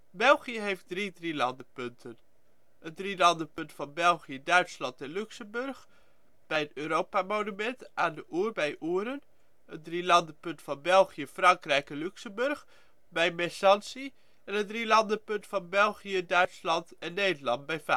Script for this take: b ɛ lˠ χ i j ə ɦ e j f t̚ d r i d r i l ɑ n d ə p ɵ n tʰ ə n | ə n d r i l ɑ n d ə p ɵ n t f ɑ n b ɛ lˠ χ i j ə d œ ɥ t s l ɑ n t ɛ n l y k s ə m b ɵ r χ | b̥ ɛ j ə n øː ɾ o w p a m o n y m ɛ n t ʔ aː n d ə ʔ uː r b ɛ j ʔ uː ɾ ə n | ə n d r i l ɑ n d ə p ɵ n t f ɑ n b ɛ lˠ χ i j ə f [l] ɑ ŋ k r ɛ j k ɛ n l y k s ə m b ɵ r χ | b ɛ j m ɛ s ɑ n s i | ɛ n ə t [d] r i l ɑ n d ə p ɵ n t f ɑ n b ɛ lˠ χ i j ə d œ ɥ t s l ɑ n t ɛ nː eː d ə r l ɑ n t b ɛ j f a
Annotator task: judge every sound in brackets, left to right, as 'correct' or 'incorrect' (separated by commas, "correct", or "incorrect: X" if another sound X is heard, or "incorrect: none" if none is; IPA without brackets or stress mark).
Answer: incorrect: r, correct